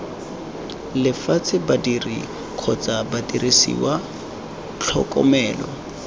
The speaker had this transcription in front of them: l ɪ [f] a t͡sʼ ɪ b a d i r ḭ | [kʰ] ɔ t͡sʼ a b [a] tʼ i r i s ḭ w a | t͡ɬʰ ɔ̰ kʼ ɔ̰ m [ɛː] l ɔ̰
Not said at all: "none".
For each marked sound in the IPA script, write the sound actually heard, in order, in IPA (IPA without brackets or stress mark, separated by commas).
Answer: f, kʰ, a, ɛː